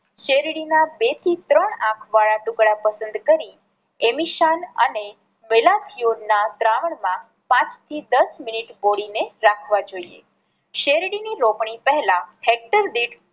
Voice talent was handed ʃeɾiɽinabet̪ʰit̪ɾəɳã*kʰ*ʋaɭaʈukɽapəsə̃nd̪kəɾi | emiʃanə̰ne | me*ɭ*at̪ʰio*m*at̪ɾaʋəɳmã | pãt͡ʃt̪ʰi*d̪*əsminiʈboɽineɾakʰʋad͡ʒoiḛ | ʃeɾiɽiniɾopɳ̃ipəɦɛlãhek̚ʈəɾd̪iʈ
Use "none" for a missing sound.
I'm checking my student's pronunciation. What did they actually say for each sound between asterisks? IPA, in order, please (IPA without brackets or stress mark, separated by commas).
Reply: kʰ, l, n, d̪